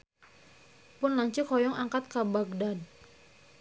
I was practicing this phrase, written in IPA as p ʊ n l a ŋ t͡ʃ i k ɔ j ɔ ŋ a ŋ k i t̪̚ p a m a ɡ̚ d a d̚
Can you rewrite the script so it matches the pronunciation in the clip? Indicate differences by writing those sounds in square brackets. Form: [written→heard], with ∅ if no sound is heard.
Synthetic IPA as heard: p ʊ n l a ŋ t͡ʃ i k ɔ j ɔ ŋ a ŋ k [i→a] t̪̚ [p→k] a [m→b] a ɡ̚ d a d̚